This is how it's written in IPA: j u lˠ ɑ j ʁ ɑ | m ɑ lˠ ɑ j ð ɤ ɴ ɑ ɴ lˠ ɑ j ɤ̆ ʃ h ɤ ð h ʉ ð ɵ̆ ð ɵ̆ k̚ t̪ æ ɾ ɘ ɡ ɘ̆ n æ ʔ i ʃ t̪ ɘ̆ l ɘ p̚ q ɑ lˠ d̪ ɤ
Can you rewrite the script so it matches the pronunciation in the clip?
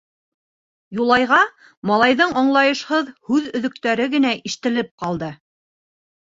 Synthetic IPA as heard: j u lˠ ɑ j ʁ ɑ | m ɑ lˠ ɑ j ð ɤ ɴ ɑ ɴ lˠ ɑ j ɤ̆ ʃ h ɤ ð h ʉ ð ɵ̆ ð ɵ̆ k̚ t̪ æ ɾ ɘ ɡ ɘ̆ n æ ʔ i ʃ t̪ ɘ̆ l ɘ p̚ q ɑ lˠ d̪ ɤ